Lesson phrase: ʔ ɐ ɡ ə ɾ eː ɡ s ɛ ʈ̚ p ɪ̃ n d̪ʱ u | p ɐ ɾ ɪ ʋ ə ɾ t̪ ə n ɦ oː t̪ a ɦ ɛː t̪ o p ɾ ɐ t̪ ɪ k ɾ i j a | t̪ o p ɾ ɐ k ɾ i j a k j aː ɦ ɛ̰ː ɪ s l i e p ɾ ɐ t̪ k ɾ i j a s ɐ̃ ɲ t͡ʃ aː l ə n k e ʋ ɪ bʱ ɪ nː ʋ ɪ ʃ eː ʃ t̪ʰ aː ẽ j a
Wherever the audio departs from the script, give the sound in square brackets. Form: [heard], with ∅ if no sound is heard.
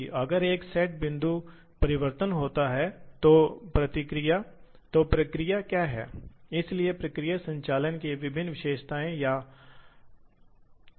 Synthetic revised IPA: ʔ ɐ ɡ ə ɾ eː [k] s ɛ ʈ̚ [b] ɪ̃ n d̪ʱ u | p ɐ ɾ ɪ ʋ ə ɾ t̪ ə n ɦ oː t̪ a ɦ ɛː t̪ o p ɾ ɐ t̪ ɪ k ɾ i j a | t̪ o p ɾ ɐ k ɾ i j a k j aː ɦ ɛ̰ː ɪ s l i e p ɾ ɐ [∅] k ɾ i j a s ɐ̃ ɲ t͡ʃ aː l ə n k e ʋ ɪ bʱ ɪ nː ʋ ɪ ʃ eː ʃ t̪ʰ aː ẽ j a